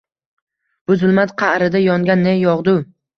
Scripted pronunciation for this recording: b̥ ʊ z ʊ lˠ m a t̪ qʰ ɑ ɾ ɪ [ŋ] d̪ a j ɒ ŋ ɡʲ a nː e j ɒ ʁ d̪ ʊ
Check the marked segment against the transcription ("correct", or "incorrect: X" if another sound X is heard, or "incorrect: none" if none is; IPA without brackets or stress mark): incorrect: none